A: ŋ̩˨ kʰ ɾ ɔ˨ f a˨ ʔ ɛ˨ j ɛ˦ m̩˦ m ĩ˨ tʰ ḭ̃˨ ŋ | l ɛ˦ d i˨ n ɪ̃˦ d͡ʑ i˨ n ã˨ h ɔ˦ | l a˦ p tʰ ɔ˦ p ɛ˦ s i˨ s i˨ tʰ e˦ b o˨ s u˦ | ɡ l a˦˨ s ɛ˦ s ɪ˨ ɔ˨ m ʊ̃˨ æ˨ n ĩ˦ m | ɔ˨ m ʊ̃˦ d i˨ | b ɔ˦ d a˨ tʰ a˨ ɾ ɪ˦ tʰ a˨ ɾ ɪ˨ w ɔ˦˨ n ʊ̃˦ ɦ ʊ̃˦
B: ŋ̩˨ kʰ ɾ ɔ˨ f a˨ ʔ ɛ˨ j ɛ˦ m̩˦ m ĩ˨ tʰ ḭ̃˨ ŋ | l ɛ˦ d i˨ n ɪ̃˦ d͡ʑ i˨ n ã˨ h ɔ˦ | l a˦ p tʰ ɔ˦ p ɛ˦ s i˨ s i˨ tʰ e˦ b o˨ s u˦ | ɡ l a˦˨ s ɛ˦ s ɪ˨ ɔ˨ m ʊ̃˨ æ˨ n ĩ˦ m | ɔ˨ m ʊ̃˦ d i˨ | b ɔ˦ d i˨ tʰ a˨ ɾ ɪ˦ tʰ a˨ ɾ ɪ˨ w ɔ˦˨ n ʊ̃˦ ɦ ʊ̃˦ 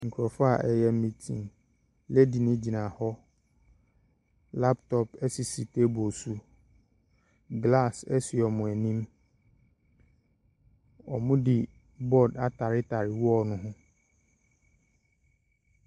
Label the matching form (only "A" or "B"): A